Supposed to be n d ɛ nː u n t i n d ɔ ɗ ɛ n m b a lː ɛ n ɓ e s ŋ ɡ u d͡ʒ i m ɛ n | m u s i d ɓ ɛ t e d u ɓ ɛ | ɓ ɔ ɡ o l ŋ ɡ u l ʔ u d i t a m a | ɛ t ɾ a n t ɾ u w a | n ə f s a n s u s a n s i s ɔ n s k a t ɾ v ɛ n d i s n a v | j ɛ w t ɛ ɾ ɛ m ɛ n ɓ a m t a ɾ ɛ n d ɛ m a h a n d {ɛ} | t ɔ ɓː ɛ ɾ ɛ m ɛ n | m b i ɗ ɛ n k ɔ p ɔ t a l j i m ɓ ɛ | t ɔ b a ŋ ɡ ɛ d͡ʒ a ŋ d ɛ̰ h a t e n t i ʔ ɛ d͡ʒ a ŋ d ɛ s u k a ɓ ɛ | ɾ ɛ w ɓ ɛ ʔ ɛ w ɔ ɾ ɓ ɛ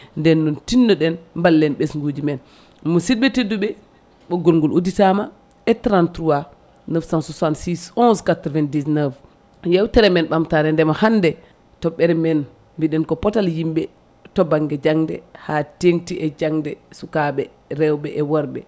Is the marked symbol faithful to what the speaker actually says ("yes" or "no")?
yes